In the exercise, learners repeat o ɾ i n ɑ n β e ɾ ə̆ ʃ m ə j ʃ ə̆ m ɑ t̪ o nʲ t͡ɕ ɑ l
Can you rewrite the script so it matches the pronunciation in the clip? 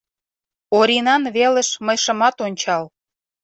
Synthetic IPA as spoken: o ɾ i n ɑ n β e l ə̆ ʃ m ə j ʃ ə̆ m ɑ t̪ o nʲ t͡ɕ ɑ l